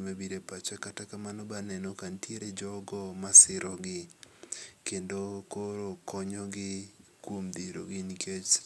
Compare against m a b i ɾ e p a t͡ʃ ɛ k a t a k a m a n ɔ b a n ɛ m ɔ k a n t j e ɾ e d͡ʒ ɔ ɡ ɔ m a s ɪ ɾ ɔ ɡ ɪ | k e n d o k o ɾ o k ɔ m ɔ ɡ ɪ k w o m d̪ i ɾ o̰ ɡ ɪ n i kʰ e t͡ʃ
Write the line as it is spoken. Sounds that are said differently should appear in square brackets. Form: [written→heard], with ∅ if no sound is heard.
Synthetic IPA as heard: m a b i ɾ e p a t͡ʃ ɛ k a t a k a m a n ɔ b a n ɛ [m→n] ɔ k a n t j e ɾ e d͡ʒ ɔ ɡ ɔ m a s ɪ ɾ ɔ ɡ ɪ | k e n d o k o ɾ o k ɔ [m→ɲ] ɔ ɡ ɪ k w o m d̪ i ɾ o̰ ɡ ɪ n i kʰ e t͡ʃ

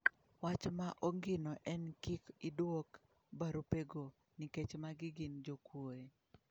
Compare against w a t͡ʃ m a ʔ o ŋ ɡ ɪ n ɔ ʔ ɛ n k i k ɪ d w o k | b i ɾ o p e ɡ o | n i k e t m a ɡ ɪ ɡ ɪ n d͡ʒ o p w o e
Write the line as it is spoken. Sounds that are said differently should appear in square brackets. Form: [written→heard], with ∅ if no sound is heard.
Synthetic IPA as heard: w a t͡ʃ m a ʔ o ŋ ɡ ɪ n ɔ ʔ ɛ n k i k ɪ d w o k | b [i→a] ɾ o p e ɡ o | n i k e [t→t͡ʃ] m a ɡ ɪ ɡ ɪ n d͡ʒ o [p→k] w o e

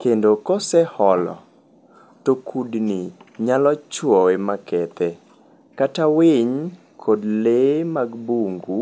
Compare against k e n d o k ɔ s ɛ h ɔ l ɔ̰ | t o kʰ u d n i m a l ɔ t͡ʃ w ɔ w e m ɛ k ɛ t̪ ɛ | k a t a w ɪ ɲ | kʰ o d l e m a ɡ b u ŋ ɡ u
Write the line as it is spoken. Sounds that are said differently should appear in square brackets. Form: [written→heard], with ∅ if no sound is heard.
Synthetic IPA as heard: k e n d o k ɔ s ɛ h ɔ l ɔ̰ | t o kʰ u d n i [m→ɲ] a l ɔ t͡ʃ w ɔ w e m [ɛ→a] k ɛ t̪ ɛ | k a t a w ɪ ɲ | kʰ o d l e m a ɡ b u ŋ ɡ u

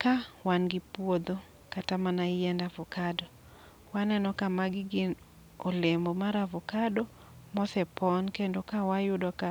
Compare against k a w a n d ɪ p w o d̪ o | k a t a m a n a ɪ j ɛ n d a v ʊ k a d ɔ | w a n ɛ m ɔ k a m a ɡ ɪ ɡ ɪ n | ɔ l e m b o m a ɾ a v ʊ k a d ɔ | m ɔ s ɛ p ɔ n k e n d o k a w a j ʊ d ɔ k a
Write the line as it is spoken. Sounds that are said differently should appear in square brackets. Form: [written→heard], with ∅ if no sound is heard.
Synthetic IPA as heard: k a w a n [d→ɡ] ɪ p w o d̪ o | k a t a m a n a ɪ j ɛ n d a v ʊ k a d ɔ | w a n ɛ [m→n] ɔ k a m a ɡ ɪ ɡ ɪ n | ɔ l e m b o m a ɾ a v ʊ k a d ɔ | m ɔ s ɛ p ɔ n k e n d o k a w a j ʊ d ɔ k a

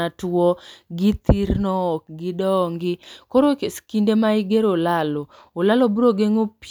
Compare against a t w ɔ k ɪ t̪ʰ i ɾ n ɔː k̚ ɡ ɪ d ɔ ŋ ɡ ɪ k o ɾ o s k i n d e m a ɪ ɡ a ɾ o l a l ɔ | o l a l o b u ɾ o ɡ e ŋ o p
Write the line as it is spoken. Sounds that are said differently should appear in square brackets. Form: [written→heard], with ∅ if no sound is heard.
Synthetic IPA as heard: a t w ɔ [k→ɡ] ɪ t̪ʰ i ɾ n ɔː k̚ ɡ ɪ d ɔ ŋ ɡ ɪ k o ɾ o s k i n d e m a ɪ ɡ [a→e] ɾ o l a l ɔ | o l a l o b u ɾ o ɡ e ŋ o p

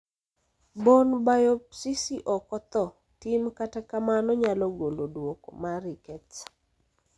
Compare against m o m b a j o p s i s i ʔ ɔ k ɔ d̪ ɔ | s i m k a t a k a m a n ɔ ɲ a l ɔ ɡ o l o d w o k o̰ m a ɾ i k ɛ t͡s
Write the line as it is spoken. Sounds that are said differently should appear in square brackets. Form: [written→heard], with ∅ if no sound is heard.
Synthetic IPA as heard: [m→b] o [m→n] b a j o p s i s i ʔ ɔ k ɔ [d̪→t̪] ɔ | [s→t] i m k a t a k a m a n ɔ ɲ a l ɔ ɡ o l o d w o k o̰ m a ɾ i k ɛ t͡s

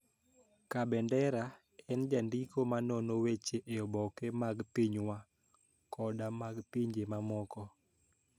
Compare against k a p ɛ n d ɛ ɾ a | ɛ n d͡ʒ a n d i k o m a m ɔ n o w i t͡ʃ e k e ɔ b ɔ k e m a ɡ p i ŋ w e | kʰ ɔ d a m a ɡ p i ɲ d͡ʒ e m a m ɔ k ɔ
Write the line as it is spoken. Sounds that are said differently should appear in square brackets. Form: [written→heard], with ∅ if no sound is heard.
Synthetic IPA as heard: k a [p→b] ɛ n d ɛ ɾ a | ɛ n d͡ʒ a n d i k o m a [m→n] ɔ n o w [i→e] t͡ʃ e [k→ʔ] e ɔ b ɔ k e m a ɡ p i [ŋ→ɲ] w [e→a] | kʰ ɔ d a m a ɡ p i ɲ d͡ʒ e m a m ɔ k ɔ

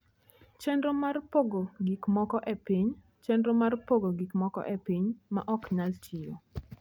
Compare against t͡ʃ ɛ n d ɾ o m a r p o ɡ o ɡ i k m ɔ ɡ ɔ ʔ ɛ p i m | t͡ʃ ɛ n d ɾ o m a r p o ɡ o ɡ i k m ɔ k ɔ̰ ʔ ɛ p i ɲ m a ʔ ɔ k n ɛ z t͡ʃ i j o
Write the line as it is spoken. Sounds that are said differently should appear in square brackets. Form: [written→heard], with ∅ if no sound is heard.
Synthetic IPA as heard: t͡ʃ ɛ n d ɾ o m a r p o ɡ o ɡ i k m ɔ [ɡ→k] ɔ ʔ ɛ p i [m→ɲ] | t͡ʃ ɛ n d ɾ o m a r p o ɡ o ɡ i k m ɔ k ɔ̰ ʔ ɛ p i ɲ m a ʔ ɔ k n [ɛ→a] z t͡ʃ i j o

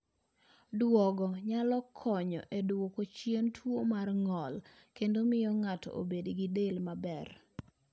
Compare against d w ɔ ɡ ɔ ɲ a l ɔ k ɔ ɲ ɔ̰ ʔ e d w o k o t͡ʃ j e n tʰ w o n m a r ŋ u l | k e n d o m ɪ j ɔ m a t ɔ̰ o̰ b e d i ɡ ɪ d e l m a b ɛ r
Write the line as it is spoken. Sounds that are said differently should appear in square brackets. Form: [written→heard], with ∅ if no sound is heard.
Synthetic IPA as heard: d w ɔ ɡ ɔ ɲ a l ɔ [k→kʰ] ɔ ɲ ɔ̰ ʔ e d w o k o t͡ʃ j e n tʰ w o [n→∅] m a r ŋ [u→ɔ] l | k e n d o m ɪ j ɔ [m→ŋ] a t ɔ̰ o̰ b e d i ɡ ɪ d e l m a b ɛ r

